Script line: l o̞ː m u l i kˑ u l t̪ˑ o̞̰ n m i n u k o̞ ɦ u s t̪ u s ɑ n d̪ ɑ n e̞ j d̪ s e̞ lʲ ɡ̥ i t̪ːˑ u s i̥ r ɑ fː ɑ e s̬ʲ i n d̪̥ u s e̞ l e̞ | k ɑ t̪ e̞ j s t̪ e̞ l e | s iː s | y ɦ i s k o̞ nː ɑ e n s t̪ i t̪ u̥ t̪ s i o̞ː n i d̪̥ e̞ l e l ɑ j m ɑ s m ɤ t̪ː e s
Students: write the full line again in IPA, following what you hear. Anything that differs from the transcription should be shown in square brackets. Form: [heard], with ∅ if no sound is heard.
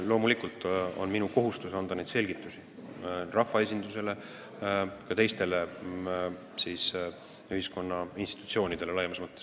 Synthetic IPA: l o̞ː m u l i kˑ u l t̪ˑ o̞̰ n m i n u k o̞ ɦ u s t̪ u s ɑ n d̪ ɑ n e̞ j d̪ s e̞ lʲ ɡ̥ i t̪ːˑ u s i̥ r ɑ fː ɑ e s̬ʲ i n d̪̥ u s e̞ l e̞ | k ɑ t̪ e̞ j s t̪ e̞ l e | s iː s | y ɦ i s k o̞ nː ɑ [i] n s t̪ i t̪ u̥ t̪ s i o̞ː n i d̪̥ e̞ l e l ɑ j m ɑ s m ɤ t̪ː e s